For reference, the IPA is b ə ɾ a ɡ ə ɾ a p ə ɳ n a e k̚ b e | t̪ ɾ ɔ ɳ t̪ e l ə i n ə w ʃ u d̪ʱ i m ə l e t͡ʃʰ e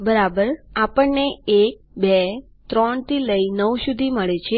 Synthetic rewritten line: b ə ɾ a b ə ɾ a p ə ɳ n e e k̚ b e | t̪ ɾ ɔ ɳ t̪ i l ə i n ə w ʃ u d̪ʱ i m ə ɭ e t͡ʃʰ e